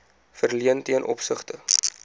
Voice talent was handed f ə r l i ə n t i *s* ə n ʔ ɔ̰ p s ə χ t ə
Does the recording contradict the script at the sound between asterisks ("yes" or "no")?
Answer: yes